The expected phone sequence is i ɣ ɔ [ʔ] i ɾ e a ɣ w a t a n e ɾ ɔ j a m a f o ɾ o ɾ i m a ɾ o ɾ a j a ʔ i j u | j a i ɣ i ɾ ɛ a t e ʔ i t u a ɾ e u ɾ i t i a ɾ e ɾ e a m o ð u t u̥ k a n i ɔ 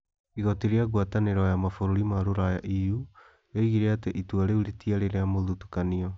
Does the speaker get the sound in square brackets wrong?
yes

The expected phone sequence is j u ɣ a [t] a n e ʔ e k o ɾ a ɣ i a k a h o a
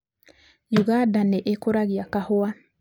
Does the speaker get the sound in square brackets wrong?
yes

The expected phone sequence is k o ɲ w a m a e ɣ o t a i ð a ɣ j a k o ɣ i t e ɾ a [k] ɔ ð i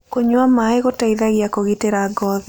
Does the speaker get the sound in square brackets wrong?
yes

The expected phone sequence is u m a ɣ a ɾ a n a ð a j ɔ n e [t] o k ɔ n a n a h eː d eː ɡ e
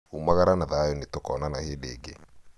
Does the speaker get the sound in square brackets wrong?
no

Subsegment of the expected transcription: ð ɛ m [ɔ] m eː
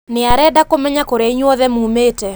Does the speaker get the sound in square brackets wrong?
yes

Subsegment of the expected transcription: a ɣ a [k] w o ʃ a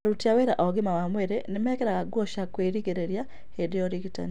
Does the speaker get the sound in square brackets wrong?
yes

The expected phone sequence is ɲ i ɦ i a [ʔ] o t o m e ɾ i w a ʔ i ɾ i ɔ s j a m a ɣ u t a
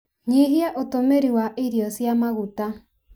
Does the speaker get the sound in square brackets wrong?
no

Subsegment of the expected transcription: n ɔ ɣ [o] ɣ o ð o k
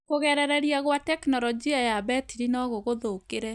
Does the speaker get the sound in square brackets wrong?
no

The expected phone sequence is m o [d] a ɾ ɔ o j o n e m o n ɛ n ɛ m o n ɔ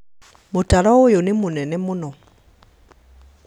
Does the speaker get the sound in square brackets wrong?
yes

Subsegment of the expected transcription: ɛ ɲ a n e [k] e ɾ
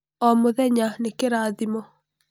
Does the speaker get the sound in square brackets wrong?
no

